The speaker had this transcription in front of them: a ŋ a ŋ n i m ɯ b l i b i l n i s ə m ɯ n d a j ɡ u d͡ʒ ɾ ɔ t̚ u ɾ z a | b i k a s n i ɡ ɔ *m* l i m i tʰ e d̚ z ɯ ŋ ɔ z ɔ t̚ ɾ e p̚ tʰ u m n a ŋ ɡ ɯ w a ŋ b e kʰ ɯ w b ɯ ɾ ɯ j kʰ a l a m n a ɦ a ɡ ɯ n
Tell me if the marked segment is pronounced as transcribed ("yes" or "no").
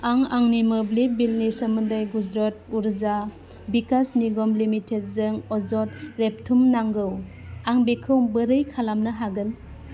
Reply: yes